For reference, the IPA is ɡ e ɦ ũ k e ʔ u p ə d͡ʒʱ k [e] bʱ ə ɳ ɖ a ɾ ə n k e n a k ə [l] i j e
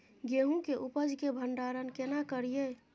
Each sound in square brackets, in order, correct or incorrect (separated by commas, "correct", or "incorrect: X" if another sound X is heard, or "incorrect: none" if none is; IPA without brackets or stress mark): correct, incorrect: ɾ